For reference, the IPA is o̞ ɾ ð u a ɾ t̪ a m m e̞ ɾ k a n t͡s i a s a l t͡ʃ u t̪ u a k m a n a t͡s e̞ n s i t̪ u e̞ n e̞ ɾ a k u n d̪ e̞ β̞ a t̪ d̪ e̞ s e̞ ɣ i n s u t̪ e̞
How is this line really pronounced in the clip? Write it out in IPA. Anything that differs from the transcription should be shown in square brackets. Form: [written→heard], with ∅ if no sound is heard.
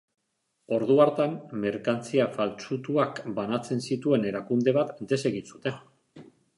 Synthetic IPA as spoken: o̞ ɾ ð u a ɾ t̪ a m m e̞ ɾ k a n t͡s i a [s→f] a l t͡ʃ u t̪ u a k [m→b] a n a t͡s e̞ n s i t̪ u e̞ n e̞ ɾ a k u n d̪ e̞ β̞ a t̪ d̪ e̞ s e̞ ɣ i n s u t̪ e̞